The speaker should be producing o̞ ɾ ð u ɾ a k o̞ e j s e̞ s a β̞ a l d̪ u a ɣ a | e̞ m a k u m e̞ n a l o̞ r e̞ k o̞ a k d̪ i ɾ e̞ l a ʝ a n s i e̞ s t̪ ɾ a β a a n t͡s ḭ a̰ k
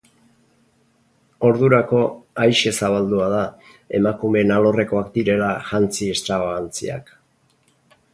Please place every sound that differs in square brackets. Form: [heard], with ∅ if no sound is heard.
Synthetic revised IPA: o̞ ɾ ð u ɾ a k o̞ [a] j [ʃ] e̞ s a β̞ a l d̪ u a [ð] a | e̞ m a k u m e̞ n a l o̞ r e̞ k o̞ a k d̪ i ɾ e̞ l a ʝ a n [t͡s] i e̞ s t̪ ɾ a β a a n t͡s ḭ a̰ k